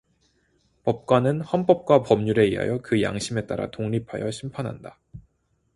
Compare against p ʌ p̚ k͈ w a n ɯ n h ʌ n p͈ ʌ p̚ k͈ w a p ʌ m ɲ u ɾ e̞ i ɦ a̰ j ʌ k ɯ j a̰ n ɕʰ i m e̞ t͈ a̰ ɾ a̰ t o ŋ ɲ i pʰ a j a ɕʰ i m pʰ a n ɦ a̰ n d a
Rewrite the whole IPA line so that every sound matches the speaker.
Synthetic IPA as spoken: p ʌ p̚ k͈ w a n ɯ n h ʌ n p͈ ʌ p̚ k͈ w a p ʌ m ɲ u ɾ e̞ i ɦ a̰ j ʌ k ɯ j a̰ ŋ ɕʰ i m e̞ t͈ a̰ ɾ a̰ t o ŋ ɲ i pʰ a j ʌ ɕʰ i m pʰ a n ɦ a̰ n d a